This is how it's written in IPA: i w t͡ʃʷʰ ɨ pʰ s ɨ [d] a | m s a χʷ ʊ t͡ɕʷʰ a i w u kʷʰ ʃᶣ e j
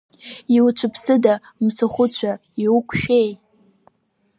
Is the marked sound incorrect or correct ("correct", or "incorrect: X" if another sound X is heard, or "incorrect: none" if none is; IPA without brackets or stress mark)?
correct